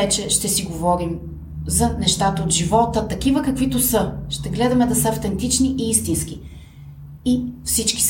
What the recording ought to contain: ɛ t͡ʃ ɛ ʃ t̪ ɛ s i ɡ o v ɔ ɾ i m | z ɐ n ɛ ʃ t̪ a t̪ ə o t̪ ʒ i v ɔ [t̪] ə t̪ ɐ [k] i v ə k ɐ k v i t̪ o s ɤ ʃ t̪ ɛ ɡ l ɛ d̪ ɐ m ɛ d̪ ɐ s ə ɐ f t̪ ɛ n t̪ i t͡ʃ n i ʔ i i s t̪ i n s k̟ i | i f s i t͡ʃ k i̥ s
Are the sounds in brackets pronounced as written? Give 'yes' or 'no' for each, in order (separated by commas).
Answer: yes, yes